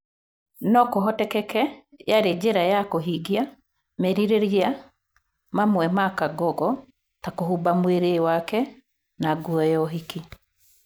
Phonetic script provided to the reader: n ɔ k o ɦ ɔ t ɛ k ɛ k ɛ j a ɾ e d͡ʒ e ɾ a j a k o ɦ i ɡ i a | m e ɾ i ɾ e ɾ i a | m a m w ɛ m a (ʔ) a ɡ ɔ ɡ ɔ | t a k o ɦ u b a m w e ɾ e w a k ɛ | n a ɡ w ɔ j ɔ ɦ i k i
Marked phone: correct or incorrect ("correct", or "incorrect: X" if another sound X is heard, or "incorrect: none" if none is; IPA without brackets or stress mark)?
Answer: incorrect: k